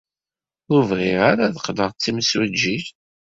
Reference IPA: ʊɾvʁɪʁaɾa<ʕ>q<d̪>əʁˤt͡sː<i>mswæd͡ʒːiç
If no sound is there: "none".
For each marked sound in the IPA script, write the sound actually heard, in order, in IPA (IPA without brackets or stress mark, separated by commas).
ð, d̪, i